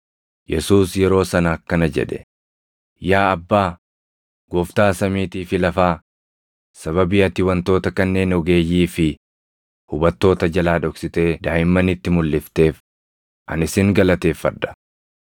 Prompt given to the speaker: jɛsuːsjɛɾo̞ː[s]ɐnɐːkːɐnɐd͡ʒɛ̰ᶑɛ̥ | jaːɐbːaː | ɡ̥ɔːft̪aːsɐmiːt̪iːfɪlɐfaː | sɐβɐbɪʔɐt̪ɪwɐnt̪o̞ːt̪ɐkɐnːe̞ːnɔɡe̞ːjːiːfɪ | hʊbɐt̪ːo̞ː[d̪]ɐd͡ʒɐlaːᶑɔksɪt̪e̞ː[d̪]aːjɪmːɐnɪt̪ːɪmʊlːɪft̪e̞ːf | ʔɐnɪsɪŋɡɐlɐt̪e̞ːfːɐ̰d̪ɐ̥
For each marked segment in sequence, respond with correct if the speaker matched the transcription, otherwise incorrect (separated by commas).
correct, incorrect, correct